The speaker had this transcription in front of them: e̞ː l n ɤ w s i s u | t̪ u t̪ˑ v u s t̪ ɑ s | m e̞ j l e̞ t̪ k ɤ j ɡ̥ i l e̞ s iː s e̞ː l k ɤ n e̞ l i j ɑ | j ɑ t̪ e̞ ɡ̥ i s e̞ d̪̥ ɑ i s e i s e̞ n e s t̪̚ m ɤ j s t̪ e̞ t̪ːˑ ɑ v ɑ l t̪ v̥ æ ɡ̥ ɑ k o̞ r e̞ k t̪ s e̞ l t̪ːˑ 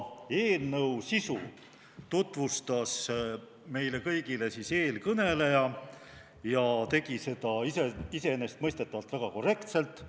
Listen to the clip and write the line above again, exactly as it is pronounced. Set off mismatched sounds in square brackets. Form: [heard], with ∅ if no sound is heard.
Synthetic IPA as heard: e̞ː l n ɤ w s i s u | t̪ u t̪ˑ v u s t̪ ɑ s | m e̞ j l e̞ [∅] k ɤ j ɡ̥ i l e̞ s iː s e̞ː l k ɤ n e̞ l [e] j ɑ | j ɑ t̪ e̞ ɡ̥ i s e̞ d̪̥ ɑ i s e i s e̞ n e s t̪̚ m ɤ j s t̪ e̞ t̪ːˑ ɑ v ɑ l t̪ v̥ æ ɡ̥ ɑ k o̞ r e̞ k t̪ s e̞ l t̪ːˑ